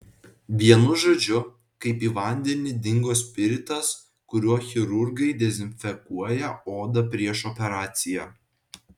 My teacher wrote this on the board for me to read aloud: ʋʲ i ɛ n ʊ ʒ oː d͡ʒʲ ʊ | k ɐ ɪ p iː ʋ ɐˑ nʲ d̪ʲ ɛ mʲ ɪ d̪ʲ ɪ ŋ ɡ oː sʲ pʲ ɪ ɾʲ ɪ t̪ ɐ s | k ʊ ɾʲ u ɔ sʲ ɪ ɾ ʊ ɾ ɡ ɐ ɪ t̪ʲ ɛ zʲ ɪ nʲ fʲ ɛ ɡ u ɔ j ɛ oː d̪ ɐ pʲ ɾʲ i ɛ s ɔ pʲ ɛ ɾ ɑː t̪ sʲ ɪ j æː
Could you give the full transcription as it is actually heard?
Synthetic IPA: ʋʲ i ɛ n ʊ ʒ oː d͡ʒʲ ʊ | k ɐ ɪ p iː ʋ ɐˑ nʲ d̪ʲ ɛ nʲ ɪ d̪ʲ ɪ ŋ ɡ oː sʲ pʲ ɪ ɾʲ ɪ t̪ ɐ s | k ʊ ɾʲ u ɔ xʲ ɪ ɾ ʊ ɾ ɡ ɐ ɪ d̪ʲ ɛ zʲ ɪ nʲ fʲ ɛ k u ɔ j ɛ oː d̪ ɐ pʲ ɾʲ i ɛ ʃ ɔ pʲ ɛ ɾ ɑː t̪ sʲ ɪ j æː

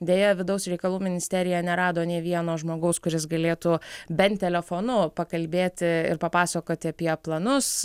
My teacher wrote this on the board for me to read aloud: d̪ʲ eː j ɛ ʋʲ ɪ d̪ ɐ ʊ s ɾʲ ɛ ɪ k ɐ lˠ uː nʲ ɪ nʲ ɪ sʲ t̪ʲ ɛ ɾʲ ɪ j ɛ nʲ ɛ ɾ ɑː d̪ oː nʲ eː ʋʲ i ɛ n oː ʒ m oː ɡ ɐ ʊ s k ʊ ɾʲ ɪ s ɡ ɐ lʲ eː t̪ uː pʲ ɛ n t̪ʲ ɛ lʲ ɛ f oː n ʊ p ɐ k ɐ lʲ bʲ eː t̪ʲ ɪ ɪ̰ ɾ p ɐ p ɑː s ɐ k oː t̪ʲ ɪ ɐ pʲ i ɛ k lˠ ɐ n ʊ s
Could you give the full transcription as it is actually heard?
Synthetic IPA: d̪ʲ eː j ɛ ʋʲ ɪ d̪ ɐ ʊ s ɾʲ ɛ ɪ k ɐ lˠ uː mʲ ɪ nʲ ɪ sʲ t̪ʲ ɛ ɾʲ ɪ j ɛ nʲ ɛ ɾ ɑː d̪ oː nʲ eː ʋʲ i ɛ n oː ʒ m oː ɡ ɐ ʊ s k ʊ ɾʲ ɪ s ɡ ɐ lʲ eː t̪ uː bʲ ɛ n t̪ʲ ɛ lʲ ɛ f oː n ʊ p ɐ k ɐ lʲ bʲ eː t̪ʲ ɪ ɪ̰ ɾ p ɐ p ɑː s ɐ k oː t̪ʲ ɪ ɐ pʲ i ɛ p lˠ ɐ n ʊ s

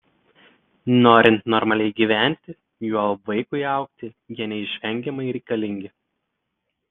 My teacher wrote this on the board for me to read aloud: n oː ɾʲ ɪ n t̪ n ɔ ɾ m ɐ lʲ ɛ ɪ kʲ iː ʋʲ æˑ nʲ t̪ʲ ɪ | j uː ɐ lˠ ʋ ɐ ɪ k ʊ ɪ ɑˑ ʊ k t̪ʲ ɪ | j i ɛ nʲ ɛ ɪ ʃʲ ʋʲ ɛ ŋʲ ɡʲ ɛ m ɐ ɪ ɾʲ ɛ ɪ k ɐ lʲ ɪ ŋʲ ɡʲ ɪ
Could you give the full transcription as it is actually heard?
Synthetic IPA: n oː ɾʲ ɪ n t̪ n ɔ ɾ m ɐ lʲ ɛ ɪ ɡʲ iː ʋʲ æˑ nʲ t̪ʲ ɪ | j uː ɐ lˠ ʋ ɐ ɪ k ʊ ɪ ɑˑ ʊ k t̪ʲ ɪ | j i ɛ nʲ ɛ ɪ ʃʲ ʋʲ ɛ ŋʲ ɡʲ ɛ m ɐ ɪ ɾʲ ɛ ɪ k ɐ lʲ ɪ ŋʲ ɡʲ ɪ

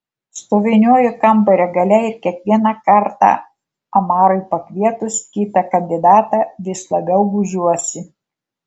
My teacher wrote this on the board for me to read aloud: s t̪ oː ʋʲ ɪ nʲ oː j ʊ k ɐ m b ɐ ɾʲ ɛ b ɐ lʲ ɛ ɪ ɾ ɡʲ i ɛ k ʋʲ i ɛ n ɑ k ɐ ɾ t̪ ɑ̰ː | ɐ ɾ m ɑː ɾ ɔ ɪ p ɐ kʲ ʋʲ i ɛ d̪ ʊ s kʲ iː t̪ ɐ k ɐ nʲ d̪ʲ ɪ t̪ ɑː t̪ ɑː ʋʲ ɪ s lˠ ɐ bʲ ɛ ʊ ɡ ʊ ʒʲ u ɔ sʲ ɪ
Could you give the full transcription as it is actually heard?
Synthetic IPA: s t̪ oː ʋʲ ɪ nʲ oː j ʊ k ɐ m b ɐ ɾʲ ɛ ɡ ɐ lʲ ɛ ɪ ɾ kʲ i ɛ k ʋʲ i ɛ n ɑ k ɐ ɾ t̪ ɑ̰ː | ɐ m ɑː ɾ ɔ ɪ p ɐ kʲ ʋʲ i ɛ t̪ ʊ s kʲ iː t̪ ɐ k ɐ nʲ d̪ʲ ɪ d̪ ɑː t̪ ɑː ʋʲ ɪ s lˠ ɐ bʲ ɛ ʊ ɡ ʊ ʒʲ u ɔ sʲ ɪ

